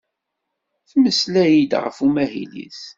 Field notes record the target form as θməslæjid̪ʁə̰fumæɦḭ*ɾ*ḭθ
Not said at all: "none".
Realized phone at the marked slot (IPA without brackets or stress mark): l